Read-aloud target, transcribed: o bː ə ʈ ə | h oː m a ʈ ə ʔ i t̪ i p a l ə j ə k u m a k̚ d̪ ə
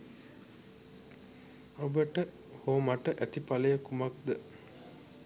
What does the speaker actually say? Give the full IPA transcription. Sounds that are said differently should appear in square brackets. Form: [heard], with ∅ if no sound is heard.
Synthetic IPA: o [b] ə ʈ ə | h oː m a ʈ ə ʔ [æ] t̪ i p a l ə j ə k u m a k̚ d̪ ə